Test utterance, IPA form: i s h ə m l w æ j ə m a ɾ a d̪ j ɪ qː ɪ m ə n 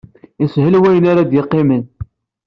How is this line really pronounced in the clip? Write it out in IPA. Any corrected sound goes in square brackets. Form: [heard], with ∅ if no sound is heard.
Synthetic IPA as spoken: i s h ə [∅] l w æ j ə [n] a ɾ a d̪ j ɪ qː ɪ m ə n